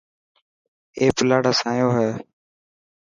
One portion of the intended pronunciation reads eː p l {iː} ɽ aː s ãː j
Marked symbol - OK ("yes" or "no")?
no